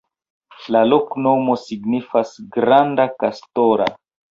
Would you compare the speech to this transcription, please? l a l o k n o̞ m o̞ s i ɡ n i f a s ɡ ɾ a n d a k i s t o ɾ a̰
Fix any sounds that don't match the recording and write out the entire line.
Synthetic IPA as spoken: l a l o k n o̞ m o̞ s i ɡ n i f a s ɡ ɾ a n d a k a s t o ɾ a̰